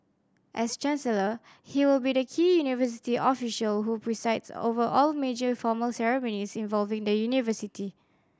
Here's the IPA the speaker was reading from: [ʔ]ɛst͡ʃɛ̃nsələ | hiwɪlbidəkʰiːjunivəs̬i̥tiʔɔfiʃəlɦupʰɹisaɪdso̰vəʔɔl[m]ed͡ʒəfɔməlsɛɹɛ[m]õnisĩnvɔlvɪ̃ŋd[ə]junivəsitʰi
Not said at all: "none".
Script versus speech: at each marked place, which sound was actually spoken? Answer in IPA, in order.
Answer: ʔ, m, m, ə

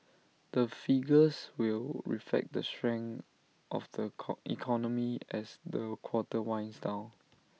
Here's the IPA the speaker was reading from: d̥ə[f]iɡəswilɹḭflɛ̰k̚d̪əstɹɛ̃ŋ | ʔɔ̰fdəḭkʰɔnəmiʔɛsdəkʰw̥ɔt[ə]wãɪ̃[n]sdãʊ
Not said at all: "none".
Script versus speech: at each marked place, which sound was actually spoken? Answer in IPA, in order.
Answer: f, ə, n

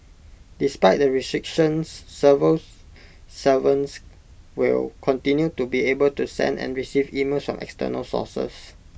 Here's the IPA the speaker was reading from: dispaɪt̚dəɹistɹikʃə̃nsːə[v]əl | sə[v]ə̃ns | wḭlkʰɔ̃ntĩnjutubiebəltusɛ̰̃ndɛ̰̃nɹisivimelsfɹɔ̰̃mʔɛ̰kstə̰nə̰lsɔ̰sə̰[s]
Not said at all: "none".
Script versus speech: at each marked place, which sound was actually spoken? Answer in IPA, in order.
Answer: v, v, s

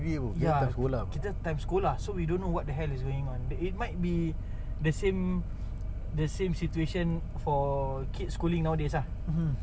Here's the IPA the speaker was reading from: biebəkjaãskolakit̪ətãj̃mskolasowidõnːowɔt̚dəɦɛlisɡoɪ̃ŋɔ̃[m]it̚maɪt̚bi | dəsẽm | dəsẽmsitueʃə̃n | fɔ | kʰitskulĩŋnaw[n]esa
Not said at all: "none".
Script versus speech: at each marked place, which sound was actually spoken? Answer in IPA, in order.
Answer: n, d

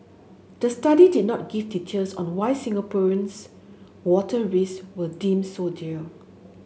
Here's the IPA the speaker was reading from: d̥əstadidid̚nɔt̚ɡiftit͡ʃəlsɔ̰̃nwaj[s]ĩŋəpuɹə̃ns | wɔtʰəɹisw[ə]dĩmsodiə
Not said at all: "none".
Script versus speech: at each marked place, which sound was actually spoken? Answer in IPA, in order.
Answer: s, ə

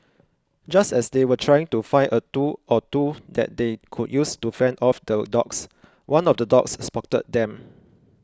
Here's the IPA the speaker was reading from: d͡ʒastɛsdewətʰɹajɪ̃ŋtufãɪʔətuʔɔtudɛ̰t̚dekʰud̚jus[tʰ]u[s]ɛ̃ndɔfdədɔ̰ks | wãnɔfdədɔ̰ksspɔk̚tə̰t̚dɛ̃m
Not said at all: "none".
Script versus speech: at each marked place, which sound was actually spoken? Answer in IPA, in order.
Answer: t, f

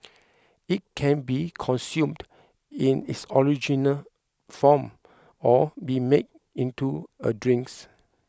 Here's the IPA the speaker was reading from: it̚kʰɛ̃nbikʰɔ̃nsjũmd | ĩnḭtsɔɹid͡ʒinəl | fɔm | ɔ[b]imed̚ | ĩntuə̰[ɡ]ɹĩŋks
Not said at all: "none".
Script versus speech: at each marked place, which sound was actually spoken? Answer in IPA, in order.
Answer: b, d

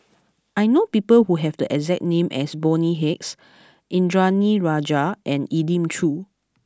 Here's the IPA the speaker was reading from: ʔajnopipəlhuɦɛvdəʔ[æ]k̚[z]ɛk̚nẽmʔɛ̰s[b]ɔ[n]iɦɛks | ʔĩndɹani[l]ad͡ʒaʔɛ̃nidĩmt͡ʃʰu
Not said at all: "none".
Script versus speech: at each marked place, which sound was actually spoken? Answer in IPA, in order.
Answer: ɛ, z, b, n, ɹ

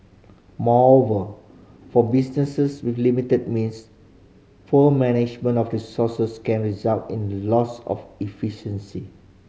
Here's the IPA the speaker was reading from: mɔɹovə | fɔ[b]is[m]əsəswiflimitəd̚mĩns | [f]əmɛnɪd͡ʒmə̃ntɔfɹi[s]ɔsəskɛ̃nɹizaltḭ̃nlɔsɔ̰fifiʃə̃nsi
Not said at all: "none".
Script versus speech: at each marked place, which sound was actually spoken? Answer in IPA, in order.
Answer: b, n, f, s

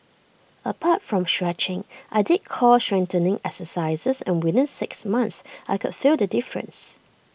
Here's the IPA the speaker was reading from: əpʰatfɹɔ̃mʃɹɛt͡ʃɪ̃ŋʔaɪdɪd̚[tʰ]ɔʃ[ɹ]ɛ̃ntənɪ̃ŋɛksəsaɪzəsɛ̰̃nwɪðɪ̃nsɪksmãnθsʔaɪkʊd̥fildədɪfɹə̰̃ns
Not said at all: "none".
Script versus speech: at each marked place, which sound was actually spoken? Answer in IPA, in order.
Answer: kʰ, ɹ

